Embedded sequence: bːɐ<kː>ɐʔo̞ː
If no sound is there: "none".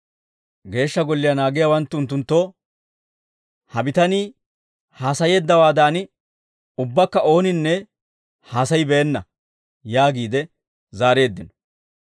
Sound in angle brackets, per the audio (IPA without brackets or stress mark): kː